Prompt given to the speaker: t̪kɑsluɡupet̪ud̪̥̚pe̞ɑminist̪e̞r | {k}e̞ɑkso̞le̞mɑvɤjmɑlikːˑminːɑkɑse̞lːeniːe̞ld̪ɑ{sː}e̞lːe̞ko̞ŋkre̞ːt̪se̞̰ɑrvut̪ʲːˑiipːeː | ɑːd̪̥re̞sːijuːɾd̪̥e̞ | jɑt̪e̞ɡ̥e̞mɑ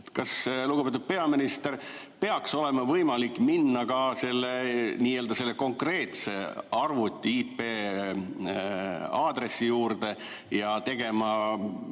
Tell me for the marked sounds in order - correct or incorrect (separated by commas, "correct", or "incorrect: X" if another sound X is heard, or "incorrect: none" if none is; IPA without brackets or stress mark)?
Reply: incorrect: p, incorrect: s